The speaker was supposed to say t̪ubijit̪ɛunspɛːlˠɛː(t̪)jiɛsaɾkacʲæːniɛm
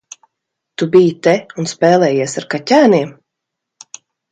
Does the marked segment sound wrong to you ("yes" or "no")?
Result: yes